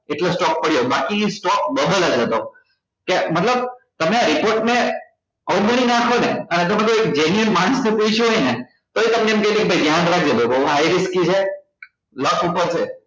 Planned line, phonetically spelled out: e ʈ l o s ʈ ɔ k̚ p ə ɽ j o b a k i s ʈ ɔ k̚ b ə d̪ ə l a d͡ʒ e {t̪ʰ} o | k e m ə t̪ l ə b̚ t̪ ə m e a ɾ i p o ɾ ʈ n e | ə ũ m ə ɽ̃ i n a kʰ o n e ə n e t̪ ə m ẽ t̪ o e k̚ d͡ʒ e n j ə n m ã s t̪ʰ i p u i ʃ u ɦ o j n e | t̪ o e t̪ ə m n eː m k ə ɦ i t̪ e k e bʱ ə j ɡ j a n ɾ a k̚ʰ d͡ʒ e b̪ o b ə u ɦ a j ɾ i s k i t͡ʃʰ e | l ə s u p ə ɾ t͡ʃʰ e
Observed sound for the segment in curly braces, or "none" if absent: t̪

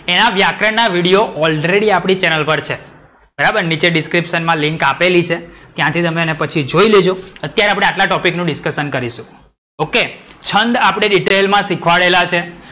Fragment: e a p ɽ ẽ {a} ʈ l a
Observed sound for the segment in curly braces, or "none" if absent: a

